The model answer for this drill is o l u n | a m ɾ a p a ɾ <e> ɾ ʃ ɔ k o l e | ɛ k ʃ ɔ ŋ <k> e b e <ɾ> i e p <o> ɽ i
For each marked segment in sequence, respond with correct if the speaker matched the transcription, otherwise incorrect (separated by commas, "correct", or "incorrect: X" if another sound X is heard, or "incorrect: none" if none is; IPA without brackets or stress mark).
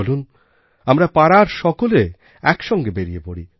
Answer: incorrect: a, incorrect: ɡ, correct, correct